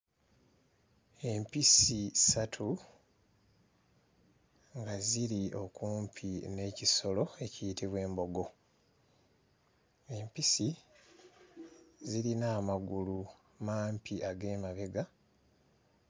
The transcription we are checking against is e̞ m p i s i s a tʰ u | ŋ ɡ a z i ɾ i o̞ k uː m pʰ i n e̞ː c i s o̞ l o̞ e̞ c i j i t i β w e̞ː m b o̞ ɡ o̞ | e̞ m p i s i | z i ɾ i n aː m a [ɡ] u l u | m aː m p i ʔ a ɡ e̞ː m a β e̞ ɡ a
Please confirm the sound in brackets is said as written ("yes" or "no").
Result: yes